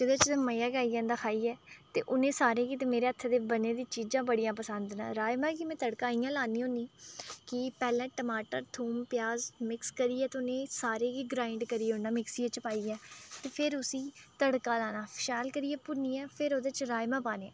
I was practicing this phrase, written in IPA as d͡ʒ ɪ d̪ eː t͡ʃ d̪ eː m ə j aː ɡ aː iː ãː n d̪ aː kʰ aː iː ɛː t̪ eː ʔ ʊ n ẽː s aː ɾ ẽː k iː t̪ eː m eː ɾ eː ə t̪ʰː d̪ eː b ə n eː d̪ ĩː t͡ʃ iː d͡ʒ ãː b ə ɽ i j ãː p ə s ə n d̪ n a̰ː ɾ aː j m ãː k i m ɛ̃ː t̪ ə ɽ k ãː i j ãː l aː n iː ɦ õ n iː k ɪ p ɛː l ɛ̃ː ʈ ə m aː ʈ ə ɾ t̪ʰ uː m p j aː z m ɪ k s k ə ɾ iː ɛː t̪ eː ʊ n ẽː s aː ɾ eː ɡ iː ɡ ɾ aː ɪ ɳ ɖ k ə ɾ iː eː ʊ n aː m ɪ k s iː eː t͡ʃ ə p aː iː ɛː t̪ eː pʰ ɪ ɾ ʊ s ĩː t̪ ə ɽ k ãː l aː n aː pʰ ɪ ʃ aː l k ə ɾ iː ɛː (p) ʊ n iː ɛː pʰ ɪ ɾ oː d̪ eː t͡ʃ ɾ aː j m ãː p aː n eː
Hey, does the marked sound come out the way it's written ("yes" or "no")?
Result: yes